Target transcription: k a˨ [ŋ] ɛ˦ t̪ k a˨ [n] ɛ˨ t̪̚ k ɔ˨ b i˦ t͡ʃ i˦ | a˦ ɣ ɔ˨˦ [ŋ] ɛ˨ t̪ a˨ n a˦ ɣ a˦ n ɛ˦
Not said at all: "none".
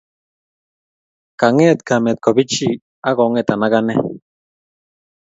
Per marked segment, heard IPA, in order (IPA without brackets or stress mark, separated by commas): ŋ, m, ŋ